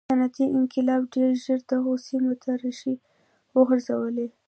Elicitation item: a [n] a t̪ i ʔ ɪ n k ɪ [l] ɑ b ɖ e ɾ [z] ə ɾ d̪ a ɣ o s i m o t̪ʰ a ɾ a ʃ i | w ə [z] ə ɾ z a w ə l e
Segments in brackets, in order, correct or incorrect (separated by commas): correct, correct, incorrect, incorrect